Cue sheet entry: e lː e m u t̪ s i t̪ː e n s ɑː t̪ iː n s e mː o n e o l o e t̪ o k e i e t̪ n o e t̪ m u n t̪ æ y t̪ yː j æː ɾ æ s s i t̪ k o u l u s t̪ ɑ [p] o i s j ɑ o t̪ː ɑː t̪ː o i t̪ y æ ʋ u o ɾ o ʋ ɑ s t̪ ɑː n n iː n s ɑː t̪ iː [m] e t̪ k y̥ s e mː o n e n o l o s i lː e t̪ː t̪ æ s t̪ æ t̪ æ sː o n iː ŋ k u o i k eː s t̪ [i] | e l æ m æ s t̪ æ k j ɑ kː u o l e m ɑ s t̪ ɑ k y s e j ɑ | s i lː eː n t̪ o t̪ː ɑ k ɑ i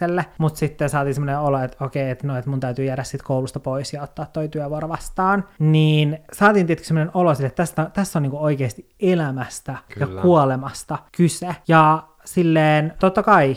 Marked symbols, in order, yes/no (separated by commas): yes, no, yes